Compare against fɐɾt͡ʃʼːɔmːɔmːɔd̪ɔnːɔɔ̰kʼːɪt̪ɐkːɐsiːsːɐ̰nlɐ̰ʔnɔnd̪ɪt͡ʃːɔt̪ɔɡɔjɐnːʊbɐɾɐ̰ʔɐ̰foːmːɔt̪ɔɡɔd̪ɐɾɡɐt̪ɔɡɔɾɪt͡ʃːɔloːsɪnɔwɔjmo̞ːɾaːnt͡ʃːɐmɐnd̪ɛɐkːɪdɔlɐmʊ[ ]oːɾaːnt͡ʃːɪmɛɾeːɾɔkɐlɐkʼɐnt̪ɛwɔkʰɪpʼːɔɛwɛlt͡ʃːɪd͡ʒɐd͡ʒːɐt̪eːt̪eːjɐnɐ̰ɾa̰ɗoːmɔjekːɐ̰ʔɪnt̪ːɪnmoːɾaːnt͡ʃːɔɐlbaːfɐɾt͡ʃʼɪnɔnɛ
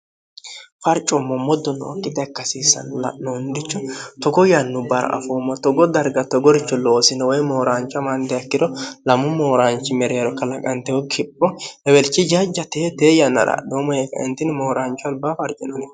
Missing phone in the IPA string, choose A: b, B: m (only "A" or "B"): B